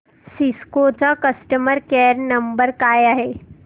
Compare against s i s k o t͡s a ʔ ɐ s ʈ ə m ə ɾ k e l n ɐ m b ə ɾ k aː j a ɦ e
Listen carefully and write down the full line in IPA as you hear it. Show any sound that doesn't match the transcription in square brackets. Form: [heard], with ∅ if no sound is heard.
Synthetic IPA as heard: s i s k o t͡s a [k] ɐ s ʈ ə m ə ɾ k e [ɾ] n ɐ m b ə ɾ k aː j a ɦ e